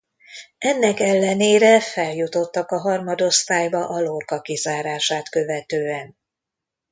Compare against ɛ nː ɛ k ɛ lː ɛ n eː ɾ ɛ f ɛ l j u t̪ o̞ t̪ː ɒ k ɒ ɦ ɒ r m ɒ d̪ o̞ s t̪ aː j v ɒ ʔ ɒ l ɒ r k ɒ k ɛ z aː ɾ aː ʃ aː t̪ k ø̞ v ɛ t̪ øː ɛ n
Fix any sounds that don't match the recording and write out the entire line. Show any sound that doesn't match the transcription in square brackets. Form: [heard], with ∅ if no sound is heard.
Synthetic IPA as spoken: ɛ nː ɛ k ɛ lː ɛ n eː ɾ ɛ f ɛ l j u t̪ o̞ t̪ː ɒ k ɒ ɦ ɒ r m ɒ d̪ o̞ s t̪ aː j [b] ɒ ʔ ɒ l [o] r k ɒ k [i] z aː ɾ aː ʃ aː t̪ k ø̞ v ɛ t̪ øː ɛ n